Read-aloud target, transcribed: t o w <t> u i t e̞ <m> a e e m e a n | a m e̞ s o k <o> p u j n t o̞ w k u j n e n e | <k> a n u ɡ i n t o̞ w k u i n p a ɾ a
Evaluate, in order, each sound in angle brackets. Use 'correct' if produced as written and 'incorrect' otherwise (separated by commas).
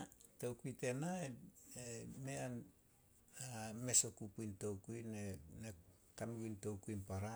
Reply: incorrect, incorrect, incorrect, correct